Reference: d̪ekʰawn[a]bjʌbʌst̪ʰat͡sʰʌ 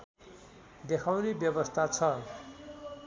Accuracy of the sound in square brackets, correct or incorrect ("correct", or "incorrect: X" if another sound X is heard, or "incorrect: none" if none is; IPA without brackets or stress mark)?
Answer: incorrect: e